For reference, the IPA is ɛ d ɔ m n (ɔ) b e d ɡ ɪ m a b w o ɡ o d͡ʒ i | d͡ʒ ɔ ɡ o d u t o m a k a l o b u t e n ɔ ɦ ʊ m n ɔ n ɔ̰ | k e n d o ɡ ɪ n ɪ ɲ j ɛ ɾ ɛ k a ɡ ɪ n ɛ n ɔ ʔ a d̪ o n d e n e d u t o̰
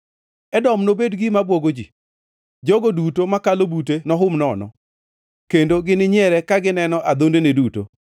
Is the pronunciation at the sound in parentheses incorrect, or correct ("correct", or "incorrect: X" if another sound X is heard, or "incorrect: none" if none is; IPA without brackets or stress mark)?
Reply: incorrect: o